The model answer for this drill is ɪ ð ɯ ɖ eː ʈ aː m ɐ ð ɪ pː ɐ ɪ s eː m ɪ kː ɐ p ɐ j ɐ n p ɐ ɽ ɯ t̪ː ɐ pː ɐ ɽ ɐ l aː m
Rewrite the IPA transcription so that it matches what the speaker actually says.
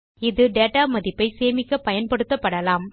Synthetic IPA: ɪ ð ɯ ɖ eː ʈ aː m ɐ ð ɪ pː ɐ ɪ s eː m ɪ kː ɐ p ɐ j ɐ n p ɐ ɽ ɯ t̪ː ɐ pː ɐ ɽ ɐ l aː m